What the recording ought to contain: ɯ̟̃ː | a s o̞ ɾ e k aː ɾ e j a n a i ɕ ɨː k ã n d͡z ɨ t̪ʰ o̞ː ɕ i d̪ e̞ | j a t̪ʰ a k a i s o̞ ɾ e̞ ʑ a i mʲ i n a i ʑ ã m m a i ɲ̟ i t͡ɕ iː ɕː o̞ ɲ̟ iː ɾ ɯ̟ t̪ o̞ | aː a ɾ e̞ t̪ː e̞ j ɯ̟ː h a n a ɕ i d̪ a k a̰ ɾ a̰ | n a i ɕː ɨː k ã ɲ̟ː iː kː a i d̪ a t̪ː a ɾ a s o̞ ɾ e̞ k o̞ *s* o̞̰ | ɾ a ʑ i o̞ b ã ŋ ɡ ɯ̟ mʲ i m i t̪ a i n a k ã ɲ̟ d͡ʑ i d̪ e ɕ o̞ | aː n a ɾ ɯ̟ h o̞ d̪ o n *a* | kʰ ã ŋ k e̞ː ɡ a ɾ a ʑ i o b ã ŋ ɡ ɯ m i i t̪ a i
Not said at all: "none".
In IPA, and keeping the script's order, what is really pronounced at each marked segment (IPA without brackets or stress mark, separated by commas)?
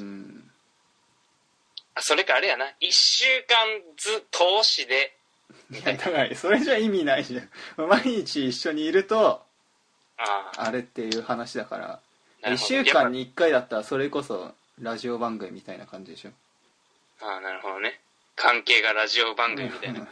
s, e